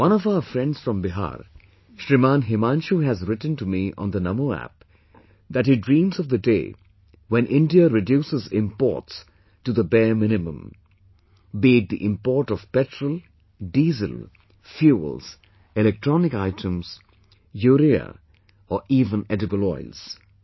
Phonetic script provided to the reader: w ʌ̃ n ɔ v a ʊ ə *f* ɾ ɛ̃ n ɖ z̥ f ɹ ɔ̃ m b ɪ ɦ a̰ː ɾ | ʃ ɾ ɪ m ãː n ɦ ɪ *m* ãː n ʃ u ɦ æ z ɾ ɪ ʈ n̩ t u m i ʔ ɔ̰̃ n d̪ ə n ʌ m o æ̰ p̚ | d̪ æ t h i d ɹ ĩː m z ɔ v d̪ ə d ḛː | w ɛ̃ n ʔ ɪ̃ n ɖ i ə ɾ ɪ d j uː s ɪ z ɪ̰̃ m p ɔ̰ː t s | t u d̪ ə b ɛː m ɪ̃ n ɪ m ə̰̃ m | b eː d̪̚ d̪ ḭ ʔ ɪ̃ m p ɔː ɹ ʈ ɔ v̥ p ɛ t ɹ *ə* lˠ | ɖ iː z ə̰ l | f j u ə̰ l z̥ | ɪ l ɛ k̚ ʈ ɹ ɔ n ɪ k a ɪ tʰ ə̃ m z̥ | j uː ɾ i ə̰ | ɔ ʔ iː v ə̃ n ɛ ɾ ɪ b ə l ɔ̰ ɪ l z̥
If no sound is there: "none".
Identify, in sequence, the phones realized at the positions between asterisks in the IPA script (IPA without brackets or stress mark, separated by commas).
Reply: f, m, ə